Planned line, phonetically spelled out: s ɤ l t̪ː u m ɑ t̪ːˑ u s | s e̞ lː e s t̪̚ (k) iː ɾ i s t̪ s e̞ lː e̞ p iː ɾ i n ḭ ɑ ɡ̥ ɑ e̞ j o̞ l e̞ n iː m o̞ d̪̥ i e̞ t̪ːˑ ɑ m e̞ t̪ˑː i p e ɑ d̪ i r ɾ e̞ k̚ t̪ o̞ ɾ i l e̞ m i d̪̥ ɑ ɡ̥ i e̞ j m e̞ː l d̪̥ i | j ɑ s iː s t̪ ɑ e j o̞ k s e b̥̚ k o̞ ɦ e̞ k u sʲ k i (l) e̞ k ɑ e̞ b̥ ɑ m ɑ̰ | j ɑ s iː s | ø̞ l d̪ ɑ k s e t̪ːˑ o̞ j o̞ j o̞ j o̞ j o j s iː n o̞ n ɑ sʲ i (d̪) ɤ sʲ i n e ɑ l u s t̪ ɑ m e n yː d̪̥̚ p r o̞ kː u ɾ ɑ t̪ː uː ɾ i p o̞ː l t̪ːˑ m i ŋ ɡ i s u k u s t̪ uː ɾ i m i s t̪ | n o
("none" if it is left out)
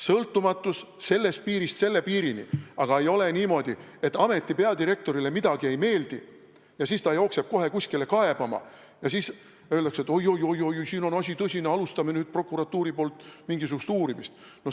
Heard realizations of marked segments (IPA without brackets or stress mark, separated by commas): p, l, t̪